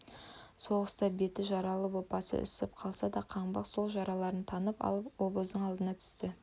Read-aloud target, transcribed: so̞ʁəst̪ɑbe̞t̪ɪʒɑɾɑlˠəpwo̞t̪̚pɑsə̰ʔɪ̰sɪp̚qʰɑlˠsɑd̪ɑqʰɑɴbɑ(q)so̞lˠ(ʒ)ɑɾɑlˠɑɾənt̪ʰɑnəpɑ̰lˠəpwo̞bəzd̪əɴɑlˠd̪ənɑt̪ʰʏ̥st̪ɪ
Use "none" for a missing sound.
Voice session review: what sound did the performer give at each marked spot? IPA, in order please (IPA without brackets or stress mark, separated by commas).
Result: q, ʒ